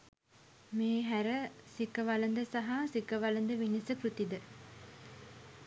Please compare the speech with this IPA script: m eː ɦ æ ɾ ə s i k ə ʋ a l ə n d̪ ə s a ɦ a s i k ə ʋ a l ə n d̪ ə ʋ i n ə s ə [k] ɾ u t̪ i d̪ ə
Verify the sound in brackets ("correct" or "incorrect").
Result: correct